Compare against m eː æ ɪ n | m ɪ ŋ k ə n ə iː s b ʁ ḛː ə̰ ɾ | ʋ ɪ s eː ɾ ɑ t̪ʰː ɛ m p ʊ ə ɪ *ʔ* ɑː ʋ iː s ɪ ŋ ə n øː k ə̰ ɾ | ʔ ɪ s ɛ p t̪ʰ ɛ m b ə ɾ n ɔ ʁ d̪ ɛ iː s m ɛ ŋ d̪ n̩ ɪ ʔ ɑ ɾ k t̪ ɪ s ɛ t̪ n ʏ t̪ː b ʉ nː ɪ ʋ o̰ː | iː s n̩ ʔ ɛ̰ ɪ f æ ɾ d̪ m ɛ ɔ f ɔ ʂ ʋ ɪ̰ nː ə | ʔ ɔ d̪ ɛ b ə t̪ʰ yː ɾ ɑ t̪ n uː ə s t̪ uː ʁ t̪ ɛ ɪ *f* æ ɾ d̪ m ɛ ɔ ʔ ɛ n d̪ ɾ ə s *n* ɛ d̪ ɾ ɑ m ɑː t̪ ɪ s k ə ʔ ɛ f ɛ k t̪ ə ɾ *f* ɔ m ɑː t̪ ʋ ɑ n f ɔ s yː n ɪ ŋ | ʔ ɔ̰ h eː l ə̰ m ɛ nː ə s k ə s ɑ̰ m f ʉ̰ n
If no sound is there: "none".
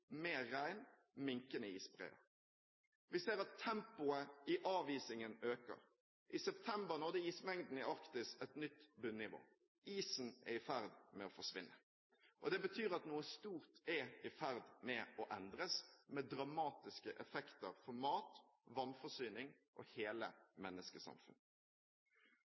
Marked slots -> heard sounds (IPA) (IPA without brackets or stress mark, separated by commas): ʔ, f, m, f